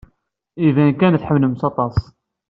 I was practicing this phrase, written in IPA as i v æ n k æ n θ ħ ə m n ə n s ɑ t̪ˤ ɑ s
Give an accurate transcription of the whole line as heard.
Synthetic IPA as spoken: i v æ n k æ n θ ħ ə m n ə m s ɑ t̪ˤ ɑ s